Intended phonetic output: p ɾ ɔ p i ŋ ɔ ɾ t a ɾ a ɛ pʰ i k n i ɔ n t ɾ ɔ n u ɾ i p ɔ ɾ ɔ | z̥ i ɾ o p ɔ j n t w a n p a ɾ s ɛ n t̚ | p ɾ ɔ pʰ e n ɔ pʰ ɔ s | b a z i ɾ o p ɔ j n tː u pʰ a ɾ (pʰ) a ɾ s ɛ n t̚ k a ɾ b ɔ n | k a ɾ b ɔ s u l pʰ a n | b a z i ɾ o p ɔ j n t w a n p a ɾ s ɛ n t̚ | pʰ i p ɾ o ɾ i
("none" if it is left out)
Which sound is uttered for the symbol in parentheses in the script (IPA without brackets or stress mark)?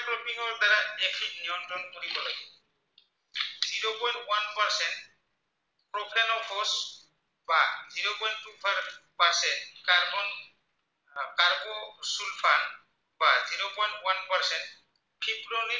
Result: p